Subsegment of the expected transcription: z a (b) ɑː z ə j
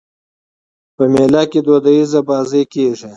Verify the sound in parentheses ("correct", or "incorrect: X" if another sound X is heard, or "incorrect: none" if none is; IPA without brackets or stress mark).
correct